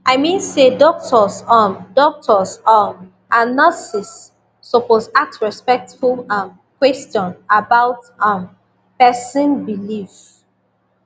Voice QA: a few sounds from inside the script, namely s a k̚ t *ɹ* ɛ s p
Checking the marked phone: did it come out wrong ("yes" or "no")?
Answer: no